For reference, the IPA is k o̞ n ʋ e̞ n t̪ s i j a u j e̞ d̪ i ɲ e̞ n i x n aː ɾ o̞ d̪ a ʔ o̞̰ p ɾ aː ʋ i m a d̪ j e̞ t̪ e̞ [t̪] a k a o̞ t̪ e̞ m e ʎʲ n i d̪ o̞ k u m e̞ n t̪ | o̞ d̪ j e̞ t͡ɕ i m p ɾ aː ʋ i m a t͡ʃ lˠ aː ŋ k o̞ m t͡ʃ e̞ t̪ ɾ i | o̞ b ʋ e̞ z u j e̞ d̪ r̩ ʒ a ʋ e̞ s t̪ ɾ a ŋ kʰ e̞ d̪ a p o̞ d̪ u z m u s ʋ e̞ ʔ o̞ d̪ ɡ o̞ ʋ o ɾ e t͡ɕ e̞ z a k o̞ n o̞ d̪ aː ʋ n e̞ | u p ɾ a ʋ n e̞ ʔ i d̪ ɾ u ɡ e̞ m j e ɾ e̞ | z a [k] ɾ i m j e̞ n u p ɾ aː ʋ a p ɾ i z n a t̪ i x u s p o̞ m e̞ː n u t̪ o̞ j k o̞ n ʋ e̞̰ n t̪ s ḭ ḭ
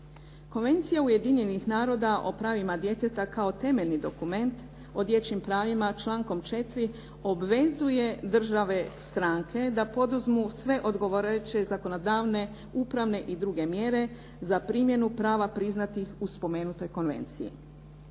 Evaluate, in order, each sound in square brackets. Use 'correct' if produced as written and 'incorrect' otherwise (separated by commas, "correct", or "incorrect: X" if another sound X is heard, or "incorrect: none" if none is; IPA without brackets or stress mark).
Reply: correct, incorrect: p